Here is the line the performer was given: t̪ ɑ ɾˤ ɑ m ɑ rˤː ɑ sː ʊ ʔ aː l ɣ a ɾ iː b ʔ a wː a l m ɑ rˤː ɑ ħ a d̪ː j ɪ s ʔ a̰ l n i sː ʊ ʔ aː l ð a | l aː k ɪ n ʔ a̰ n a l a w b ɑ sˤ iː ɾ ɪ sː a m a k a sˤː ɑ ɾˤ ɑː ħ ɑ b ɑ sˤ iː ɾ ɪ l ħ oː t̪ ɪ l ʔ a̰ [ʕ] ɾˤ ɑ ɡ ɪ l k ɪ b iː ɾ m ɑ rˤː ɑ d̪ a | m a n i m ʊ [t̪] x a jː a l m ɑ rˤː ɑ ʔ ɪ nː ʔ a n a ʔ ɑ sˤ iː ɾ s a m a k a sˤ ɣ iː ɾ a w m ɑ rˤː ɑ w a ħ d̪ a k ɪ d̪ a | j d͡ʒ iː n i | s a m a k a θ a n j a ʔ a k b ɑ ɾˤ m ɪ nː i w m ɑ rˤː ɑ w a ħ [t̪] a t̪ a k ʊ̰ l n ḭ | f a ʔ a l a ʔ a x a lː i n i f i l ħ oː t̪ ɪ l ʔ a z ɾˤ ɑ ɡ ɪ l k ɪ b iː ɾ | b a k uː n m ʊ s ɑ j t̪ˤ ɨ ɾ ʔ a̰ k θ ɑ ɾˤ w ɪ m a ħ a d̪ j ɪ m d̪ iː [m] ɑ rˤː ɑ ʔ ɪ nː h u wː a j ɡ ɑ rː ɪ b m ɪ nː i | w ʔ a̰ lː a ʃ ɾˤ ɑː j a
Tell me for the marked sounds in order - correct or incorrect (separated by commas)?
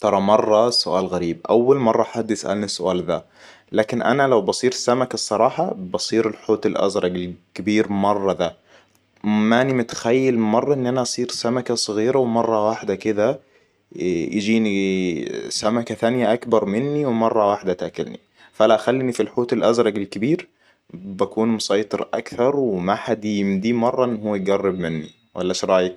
incorrect, correct, incorrect, correct